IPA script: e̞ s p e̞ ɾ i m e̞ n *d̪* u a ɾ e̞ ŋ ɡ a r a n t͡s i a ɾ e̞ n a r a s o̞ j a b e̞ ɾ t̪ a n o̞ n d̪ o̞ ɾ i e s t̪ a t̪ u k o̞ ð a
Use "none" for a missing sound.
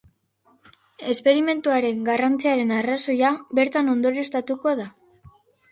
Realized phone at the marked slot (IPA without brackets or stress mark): t̪